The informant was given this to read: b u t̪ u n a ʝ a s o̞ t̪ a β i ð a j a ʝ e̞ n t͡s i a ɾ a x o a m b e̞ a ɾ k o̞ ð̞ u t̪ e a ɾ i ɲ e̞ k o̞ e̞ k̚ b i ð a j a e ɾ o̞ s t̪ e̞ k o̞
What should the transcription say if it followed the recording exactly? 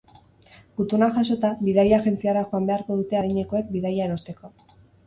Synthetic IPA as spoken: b u t̪ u n a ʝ a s o̞ t̪ a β i ð a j a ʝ e̞ n t͡s i a ɾ a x o a m b e̞ a ɾ k o̞ ð̞ u t̪ e a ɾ i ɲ e̞ k o̞ e̞ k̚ b i ð a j a e ɾ o̞ s t̪ e̞ k o̞